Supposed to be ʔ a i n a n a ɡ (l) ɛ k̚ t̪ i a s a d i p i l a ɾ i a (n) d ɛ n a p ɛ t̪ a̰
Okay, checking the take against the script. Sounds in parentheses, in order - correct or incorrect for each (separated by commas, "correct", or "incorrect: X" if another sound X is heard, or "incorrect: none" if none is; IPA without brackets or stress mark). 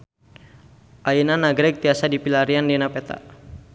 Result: incorrect: ɾ, correct